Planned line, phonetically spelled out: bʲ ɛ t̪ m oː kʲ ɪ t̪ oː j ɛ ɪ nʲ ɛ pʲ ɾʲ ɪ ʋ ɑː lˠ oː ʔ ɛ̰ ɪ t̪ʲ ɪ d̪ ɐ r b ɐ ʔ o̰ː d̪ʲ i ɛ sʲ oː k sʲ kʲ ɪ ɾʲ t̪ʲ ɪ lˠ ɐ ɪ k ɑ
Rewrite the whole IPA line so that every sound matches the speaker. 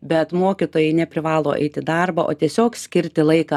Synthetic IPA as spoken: bʲ ɛ t̪ m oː kʲ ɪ t̪ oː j ɛ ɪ nʲ ɛ pʲ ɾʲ ɪ ʋ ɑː lˠ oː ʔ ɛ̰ ɪ t̪ʲ ɪ d̪ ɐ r b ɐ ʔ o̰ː t̪ʲ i ɛ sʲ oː k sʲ kʲ ɪ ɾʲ t̪ʲ ɪ lˠ ɐ ɪ k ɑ